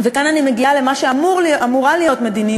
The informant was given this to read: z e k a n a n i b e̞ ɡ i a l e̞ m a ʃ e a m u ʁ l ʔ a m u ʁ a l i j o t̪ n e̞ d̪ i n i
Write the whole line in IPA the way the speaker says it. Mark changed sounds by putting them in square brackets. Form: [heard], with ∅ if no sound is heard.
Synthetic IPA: [v] e k a n a n i [m] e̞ ɡ i a l e̞ m a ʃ e a m u ʁ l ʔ a m u ʁ a l i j o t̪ [m] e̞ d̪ i n i